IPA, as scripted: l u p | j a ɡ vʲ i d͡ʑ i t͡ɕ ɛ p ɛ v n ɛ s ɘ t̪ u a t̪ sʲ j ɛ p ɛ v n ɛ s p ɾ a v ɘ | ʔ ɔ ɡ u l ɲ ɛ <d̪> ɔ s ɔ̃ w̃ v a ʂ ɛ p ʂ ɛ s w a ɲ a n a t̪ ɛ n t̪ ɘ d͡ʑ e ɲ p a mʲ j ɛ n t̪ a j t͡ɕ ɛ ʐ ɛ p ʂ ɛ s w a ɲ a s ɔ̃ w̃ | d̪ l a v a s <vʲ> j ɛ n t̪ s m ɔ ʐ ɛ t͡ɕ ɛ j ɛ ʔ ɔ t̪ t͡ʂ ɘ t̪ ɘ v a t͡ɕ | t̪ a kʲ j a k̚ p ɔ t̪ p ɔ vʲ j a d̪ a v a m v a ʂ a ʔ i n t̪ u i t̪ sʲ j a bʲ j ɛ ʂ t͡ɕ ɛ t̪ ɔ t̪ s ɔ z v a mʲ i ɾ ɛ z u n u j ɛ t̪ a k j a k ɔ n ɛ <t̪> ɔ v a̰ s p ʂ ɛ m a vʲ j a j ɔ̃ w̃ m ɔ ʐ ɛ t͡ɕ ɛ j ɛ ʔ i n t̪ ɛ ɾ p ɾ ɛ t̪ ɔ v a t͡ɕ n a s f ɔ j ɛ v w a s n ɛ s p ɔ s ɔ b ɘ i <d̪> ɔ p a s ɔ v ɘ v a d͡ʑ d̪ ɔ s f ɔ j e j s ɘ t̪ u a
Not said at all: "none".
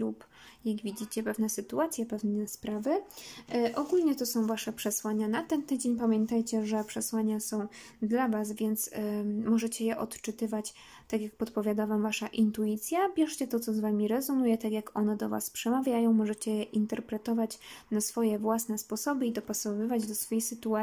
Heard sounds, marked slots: t̪, vʲ, d̪, d̪

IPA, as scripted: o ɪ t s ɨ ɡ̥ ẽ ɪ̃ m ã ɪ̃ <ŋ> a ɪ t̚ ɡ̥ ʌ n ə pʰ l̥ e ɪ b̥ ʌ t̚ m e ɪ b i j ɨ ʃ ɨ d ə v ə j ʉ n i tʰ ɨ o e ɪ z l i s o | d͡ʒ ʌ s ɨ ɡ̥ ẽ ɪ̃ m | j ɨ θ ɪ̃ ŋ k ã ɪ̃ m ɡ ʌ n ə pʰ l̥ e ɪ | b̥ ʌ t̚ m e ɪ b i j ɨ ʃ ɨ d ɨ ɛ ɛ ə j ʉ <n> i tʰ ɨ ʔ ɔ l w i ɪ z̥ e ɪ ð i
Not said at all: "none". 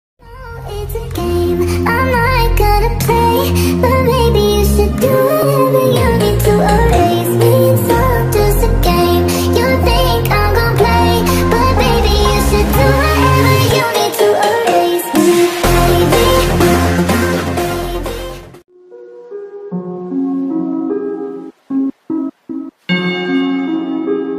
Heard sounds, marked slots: m, n

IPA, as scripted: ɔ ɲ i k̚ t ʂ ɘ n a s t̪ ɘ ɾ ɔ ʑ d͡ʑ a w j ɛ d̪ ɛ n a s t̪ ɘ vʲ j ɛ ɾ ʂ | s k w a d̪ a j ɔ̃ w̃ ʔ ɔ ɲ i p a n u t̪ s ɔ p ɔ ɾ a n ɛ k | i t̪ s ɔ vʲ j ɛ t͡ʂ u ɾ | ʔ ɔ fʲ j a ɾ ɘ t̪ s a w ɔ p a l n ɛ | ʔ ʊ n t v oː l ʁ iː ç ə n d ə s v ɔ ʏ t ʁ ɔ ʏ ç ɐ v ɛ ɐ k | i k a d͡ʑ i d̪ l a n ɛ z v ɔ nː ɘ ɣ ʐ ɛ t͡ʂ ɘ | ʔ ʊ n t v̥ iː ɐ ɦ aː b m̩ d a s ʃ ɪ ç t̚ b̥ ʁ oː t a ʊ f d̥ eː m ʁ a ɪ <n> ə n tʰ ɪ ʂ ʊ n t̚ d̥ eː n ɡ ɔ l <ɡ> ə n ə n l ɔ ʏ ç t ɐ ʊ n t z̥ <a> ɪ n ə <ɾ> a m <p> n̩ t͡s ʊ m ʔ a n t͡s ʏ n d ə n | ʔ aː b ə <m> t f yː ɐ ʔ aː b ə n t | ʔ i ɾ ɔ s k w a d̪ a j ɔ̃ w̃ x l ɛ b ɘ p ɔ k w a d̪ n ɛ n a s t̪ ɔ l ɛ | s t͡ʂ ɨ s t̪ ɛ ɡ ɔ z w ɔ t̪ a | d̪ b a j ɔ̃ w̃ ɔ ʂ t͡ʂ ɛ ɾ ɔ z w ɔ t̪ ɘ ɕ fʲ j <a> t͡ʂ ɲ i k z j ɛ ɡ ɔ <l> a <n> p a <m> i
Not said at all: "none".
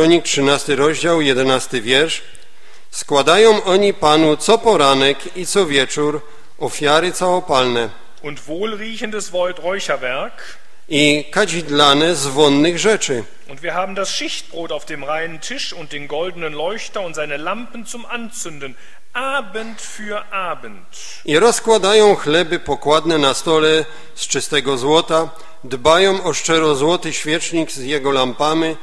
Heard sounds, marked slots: n, d, a, l, p, n, ɛ, l, m, m

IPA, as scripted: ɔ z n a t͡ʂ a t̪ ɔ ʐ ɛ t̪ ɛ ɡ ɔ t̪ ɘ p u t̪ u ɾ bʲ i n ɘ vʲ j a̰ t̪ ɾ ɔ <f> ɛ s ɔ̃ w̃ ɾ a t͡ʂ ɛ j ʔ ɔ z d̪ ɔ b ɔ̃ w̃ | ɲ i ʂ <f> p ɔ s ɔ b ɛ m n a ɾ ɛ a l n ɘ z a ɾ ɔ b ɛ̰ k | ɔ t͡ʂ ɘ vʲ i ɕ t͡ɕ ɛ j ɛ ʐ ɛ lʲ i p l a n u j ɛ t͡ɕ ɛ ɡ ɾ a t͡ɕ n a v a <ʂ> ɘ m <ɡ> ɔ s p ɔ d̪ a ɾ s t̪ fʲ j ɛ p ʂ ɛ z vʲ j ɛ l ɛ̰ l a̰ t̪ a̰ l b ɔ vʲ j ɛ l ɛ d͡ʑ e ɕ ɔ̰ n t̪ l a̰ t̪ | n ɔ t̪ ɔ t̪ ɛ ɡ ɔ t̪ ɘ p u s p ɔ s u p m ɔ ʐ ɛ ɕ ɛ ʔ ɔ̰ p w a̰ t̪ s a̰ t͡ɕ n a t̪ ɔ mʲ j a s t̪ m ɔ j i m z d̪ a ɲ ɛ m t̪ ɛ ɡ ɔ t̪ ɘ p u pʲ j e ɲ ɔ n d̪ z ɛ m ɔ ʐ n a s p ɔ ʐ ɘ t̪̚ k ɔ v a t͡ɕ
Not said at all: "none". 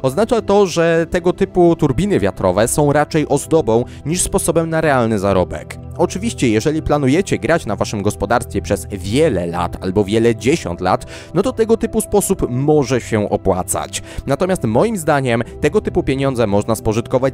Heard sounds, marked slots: v, s, ʂ, ɡ

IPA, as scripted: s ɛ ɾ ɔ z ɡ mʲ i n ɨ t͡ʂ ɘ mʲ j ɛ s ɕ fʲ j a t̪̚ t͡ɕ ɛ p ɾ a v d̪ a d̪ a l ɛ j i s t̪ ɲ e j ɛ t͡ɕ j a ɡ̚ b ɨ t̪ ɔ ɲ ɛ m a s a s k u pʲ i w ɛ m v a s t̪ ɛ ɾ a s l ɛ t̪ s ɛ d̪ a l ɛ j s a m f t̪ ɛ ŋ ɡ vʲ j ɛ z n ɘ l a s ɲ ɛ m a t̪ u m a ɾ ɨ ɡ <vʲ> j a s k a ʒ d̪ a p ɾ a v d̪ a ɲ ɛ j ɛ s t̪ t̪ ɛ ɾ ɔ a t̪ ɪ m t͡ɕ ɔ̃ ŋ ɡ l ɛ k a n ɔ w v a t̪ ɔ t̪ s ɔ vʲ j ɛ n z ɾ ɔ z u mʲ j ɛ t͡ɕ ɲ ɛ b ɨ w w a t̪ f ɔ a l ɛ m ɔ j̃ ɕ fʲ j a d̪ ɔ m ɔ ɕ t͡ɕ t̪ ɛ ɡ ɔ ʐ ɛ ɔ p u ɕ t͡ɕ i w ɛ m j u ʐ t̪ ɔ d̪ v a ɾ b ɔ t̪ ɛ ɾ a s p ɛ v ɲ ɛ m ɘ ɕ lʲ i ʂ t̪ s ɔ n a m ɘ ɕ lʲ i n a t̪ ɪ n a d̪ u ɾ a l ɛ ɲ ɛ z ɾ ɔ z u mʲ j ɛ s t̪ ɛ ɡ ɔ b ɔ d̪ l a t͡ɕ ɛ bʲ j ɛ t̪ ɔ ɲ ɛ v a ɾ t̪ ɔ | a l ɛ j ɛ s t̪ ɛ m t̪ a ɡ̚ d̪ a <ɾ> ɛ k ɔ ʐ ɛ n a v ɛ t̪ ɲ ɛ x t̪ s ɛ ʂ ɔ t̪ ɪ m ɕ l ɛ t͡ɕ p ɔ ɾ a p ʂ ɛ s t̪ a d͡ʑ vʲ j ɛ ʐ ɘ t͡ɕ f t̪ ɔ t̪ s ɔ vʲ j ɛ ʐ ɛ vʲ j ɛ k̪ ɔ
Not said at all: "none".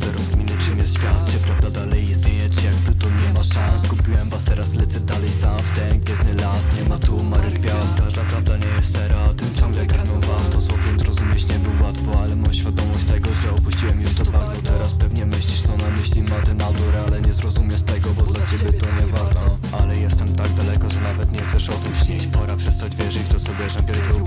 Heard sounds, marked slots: vʲ, l

